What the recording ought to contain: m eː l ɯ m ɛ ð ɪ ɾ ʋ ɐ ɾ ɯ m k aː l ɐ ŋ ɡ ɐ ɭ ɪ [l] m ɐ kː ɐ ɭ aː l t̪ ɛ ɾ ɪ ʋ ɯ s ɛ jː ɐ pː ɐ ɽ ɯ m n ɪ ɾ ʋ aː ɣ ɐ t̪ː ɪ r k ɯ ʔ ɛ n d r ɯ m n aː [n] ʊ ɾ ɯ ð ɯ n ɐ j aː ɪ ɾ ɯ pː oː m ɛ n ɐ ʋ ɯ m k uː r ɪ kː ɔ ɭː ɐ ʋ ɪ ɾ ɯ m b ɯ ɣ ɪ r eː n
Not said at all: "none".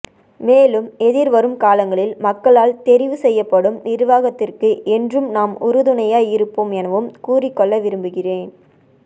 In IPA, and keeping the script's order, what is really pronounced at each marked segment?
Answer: l, m

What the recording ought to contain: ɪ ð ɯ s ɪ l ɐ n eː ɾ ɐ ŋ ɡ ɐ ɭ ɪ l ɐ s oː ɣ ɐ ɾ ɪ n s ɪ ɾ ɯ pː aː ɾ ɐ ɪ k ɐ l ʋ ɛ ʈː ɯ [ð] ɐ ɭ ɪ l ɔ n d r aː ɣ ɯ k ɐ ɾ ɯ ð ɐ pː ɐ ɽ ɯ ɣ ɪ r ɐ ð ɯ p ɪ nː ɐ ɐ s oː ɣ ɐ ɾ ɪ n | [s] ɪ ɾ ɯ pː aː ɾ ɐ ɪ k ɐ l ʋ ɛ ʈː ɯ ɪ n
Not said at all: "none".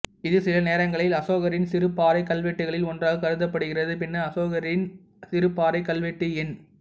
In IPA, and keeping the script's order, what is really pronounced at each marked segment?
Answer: ɣ, s

